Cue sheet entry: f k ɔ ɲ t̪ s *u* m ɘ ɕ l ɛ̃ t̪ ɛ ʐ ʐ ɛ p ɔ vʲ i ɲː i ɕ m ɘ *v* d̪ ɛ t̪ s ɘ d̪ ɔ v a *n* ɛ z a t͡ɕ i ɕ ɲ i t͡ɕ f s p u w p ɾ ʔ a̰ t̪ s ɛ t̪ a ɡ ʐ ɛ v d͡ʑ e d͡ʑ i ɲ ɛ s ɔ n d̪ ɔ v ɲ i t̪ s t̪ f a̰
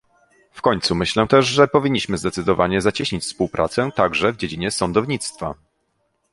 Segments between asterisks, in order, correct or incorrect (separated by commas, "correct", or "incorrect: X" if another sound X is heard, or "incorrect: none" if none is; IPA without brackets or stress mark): correct, incorrect: z, incorrect: ɲ